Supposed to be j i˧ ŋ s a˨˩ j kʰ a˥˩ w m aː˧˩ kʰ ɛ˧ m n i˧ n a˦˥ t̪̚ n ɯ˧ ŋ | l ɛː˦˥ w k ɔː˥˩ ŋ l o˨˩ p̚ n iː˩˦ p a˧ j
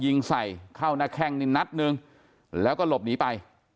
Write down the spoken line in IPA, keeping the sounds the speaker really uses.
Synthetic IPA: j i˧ ŋ s a˨˩ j kʰ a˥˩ w n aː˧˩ kʰ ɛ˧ ŋ n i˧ n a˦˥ t̪̚ n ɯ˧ ŋ | l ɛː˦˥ w k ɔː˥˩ l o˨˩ p̚ n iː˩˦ p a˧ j